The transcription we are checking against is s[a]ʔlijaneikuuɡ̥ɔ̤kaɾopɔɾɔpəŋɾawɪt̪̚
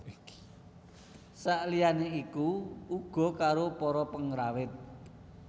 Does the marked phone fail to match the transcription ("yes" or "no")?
no